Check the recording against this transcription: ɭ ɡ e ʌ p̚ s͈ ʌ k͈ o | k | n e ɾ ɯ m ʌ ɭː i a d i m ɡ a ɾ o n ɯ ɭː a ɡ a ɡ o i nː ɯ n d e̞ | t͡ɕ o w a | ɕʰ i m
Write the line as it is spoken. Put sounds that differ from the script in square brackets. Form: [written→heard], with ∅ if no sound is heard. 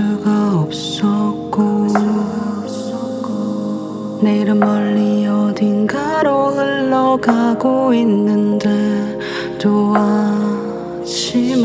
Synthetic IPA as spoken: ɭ ɡ [e→a] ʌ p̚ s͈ ʌ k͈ o | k | n e ɾ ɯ m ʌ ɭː i [a→ʌ] d i [m→n] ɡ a ɾ o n ɯ ɭː [a→ʌ] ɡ a ɡ o i nː ɯ n d e̞ | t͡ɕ o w a | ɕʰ i m